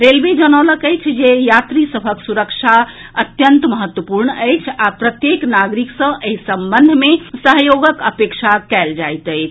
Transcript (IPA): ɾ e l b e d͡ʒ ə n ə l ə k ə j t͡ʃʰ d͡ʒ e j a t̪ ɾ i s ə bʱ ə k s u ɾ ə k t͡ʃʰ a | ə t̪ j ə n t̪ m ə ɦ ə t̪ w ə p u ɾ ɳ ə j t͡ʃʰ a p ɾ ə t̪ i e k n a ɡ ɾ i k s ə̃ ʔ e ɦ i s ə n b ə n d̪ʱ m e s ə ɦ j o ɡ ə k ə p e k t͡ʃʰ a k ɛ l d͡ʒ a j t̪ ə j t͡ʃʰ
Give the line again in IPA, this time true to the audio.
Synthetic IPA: ɾ e l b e d͡ʒ ə n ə l ə k ə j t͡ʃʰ d͡ʒ e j a t̪ ɾ i s ə bʱ ə k s u ɾ ə k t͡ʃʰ a | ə t̪ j ə n t̪ m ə ɦ ə t̪ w ə p u ɾ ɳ ə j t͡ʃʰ a p ɾ ə t̪ j e k n a ɡ ɾ i k s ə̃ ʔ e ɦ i s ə m b ə n d̪ʱ m e s ə ɦ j o ɡ ə k ə p e k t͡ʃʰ a k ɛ l d͡ʒ a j t̪ ə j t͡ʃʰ